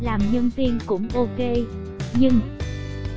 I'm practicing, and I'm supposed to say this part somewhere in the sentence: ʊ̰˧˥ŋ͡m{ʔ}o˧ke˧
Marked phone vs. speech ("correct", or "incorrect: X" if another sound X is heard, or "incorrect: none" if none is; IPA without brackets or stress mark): correct